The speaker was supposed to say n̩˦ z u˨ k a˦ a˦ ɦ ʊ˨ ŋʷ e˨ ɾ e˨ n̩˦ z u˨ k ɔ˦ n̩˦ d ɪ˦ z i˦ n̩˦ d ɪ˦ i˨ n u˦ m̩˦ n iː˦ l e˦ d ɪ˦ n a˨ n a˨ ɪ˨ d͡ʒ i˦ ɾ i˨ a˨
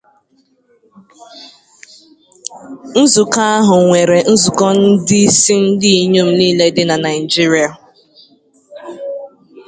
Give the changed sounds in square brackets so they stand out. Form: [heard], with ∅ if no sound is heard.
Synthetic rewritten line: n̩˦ z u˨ k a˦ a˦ ɦ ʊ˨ ŋʷ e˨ ɾ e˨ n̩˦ z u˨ k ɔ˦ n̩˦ d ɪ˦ [s] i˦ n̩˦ d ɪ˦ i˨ [ɲ] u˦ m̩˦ n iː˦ l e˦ d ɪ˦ n a˨ n a˨ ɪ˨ d͡ʒ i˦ ɾ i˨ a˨